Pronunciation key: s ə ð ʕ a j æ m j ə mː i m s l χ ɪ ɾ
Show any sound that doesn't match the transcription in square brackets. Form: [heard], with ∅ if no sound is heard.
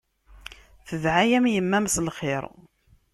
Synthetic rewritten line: [θ] ə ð ʕ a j æ m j ə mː [æ] m s l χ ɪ ɾ

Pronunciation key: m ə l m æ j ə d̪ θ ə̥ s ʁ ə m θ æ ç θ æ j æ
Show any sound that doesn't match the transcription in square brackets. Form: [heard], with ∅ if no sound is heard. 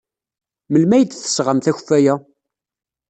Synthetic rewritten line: m ə l m æ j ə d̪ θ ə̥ s ʁ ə m θ æ ç [f] æ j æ

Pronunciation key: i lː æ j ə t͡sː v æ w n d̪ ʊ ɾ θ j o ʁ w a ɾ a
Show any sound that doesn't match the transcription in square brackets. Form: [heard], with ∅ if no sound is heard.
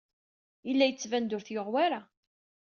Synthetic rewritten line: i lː æ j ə t͡sː v æ [∅] n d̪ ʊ ɾ θ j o ʁ w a ɾ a

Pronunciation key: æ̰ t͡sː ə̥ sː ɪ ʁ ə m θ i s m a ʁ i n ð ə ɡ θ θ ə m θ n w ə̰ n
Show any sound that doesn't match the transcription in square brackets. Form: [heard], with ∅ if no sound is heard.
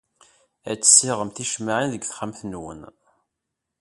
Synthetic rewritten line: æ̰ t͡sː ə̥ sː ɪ ʁ ə m θ i [ʃ] m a [ʕ] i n ð ə ɡ θ [χ] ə m θ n w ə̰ n

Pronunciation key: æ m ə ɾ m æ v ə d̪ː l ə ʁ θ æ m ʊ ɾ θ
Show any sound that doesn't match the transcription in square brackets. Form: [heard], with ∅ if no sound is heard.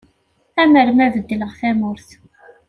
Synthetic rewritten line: æ m ə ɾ m æ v ə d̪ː l ə ʁ θ æ m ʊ ɾ θ

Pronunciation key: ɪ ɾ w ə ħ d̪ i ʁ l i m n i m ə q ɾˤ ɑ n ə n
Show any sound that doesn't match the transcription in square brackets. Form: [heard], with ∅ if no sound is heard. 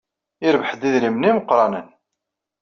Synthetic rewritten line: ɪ ɾ [v] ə ħ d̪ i [ð] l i m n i m ə q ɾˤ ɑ n ə n

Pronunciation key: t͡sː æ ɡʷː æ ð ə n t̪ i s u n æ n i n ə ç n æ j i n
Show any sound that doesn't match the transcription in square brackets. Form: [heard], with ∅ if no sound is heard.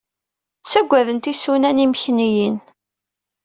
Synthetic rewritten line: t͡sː æ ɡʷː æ ð ə n t̪ i s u n æ n i [m] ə ç n [i] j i n

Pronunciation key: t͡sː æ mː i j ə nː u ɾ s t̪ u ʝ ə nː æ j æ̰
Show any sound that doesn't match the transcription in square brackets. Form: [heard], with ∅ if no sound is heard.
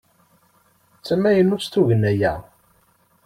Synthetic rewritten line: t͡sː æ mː [æ] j ə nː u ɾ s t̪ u ʝ ə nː æ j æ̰

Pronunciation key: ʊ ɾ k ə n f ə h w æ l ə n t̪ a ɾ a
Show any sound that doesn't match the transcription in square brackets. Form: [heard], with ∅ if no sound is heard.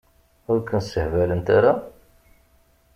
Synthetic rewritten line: ʊ ɾ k ə n [s] ə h [v] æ l ə n t̪ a ɾ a

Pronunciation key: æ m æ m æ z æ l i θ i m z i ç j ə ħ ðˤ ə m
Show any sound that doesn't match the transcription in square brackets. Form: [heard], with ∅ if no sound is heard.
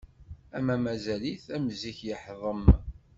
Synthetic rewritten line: æ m æ m æ z æ l i θ [æ] m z i ç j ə ħ ðˤ ə m

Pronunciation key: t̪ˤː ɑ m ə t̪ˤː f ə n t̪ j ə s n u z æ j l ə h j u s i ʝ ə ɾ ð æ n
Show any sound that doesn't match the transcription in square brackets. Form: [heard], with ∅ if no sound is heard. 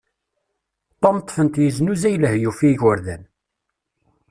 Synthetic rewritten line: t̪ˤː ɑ m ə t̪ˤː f ə n t̪ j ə [z] n u z æ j l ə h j u [f] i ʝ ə ɾ ð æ n

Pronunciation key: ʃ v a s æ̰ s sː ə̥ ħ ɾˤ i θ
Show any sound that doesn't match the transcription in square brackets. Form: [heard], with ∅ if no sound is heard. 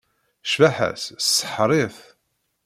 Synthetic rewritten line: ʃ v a [ħ] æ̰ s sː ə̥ ħ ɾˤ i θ

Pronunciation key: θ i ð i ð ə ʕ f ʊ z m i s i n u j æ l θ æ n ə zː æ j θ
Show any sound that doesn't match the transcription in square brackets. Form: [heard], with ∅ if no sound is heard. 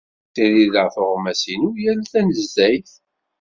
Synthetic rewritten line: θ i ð i ð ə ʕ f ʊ [ʁ] m [æ] s i n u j æ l θ æ n ə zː æ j θ

